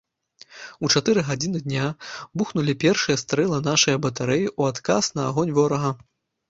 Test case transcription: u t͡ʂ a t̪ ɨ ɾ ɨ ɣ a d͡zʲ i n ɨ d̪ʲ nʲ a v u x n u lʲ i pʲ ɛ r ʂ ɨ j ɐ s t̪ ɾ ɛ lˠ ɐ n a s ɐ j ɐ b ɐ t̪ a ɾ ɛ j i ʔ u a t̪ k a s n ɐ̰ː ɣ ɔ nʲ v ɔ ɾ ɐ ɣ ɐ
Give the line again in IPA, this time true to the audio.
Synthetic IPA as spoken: u t͡ʂ a t̪ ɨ ɾ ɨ ɣ a d͡zʲ i n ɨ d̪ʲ nʲ a b u x n u lʲ i pʲ ɛ r ʂ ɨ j ɐ s t̪ ɾ ɛ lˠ ɐ n a ʂ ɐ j ɐ b ɐ t̪ a ɾ ɛ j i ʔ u a t̪ k a s n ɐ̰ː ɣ ɔ nʲ v ɔ ɾ ɐ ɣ ɐ